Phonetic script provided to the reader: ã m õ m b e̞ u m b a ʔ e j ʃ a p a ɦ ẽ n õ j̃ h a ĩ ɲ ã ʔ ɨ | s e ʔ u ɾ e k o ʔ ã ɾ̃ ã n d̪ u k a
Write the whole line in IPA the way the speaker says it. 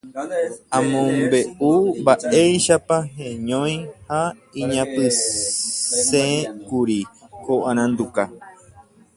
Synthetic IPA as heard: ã m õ m b e̞ u m b a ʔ e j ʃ a p a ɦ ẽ ɲ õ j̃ h a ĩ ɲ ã p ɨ | s e k u ɾ i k o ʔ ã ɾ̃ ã n d̪ u k a